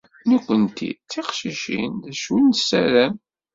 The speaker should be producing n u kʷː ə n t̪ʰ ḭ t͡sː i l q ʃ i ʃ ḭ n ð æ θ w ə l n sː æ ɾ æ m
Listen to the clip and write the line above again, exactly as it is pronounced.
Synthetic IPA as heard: n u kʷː ə n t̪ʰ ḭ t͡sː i q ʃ i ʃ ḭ n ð æ ʃ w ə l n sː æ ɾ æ m